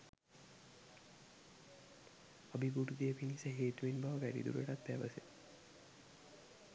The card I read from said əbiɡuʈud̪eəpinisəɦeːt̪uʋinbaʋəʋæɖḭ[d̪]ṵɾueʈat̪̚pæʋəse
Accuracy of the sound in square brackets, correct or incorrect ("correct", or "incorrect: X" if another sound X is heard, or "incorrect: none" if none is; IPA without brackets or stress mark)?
correct